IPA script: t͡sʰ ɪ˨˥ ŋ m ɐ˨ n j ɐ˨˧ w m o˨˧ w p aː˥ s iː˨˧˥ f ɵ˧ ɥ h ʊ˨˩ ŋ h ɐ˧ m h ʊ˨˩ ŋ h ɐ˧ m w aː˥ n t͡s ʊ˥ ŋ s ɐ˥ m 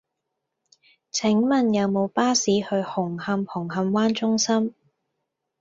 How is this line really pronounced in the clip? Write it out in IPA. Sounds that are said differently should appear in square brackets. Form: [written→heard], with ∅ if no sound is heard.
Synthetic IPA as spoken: t͡sʰ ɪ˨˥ ŋ m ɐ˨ n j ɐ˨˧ w m o˨˧ w p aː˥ s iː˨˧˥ [f→h] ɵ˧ ɥ h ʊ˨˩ ŋ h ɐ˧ m h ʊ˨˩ ŋ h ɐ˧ m w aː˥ n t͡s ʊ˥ ŋ s ɐ˥ m